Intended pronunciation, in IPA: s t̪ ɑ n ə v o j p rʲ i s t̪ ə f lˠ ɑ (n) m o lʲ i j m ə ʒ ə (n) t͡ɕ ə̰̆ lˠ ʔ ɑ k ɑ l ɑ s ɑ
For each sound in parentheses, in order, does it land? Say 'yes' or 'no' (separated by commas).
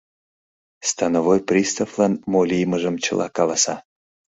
yes, no